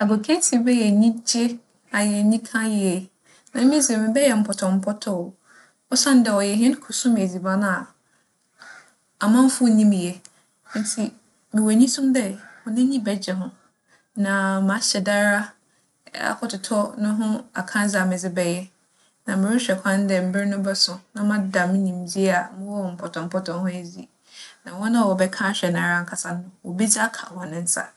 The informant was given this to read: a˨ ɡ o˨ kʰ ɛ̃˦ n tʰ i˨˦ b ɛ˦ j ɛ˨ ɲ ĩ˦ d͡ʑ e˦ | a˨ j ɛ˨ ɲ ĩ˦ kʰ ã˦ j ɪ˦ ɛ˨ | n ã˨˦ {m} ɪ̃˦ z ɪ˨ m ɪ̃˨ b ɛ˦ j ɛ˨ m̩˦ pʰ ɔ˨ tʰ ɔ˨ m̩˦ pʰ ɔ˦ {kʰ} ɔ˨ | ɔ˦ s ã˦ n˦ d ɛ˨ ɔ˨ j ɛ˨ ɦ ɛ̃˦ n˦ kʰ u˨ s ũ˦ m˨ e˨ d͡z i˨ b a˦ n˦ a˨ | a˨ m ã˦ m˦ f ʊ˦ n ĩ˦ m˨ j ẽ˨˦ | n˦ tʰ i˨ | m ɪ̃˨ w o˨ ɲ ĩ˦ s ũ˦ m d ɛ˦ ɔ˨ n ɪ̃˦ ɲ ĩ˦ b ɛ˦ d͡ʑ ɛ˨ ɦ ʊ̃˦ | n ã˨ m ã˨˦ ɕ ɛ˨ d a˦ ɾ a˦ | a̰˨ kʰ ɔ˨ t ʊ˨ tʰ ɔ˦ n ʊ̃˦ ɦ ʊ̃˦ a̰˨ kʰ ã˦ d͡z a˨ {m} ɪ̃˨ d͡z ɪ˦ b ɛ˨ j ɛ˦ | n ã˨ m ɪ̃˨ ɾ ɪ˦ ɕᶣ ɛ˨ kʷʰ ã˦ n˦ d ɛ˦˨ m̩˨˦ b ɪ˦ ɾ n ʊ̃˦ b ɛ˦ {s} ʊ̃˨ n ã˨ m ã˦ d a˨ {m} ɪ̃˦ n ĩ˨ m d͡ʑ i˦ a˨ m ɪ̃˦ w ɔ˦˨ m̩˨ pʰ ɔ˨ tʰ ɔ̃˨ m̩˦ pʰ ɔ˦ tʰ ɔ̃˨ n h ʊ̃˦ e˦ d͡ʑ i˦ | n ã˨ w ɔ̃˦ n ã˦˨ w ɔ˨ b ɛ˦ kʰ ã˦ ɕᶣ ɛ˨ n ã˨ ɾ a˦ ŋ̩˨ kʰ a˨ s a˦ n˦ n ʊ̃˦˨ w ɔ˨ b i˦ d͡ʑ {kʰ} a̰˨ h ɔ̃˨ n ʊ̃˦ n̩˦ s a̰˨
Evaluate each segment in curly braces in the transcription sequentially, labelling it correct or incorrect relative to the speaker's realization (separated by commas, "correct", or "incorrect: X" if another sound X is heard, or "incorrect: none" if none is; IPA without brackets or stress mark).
correct, incorrect: tʰ, correct, correct, correct, correct